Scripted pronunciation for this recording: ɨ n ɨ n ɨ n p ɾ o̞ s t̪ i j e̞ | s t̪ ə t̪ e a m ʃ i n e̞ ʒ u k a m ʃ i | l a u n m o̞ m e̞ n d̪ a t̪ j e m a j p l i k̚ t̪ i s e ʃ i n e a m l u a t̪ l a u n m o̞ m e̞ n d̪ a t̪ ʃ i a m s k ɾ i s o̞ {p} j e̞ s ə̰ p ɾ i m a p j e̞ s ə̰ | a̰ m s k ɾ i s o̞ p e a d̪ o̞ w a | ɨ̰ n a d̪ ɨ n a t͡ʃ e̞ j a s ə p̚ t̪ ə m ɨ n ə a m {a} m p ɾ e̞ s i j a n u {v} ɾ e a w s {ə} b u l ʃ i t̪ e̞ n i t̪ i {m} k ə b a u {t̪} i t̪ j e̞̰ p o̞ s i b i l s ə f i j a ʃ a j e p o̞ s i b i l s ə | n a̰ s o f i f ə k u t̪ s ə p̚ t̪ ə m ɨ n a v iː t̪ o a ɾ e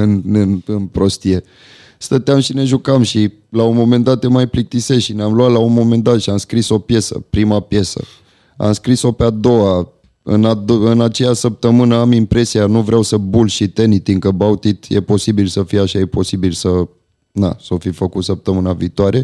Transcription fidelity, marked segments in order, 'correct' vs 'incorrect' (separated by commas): correct, incorrect, correct, correct, incorrect, correct